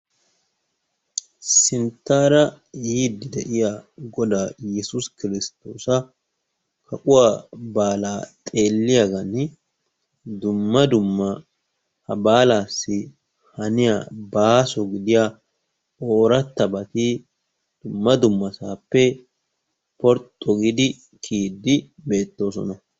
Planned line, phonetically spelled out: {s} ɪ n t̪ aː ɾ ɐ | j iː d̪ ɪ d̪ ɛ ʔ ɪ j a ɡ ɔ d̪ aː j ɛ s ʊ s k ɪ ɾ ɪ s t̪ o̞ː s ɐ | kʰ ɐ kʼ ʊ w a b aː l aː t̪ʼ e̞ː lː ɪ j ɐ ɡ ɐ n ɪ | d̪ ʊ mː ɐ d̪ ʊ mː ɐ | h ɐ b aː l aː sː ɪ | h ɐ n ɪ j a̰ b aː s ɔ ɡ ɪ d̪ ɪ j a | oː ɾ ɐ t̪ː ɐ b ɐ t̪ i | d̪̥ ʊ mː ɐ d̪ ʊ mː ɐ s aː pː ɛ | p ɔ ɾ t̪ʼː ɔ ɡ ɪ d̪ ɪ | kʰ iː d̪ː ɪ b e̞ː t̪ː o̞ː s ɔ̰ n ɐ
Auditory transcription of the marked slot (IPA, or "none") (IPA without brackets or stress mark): s